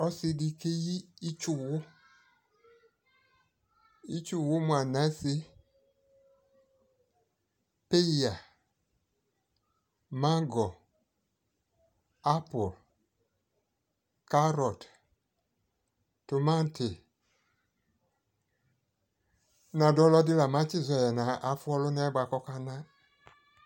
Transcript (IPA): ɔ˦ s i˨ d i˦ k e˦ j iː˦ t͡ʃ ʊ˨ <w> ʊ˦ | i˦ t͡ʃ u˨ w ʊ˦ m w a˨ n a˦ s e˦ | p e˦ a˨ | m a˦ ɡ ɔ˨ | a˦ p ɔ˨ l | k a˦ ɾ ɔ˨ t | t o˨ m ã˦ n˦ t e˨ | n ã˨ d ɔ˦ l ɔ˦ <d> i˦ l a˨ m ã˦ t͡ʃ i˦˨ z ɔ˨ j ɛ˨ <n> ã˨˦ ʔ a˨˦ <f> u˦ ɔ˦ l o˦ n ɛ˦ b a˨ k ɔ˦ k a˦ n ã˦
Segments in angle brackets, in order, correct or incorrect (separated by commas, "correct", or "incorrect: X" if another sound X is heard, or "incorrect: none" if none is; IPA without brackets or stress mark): correct, correct, correct, correct